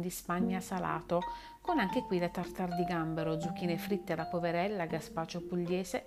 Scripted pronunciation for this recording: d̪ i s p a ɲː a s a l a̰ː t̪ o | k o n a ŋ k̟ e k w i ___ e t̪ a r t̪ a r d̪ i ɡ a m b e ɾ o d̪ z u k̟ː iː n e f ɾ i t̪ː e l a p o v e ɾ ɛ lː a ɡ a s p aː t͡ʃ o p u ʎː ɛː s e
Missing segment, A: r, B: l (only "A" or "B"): B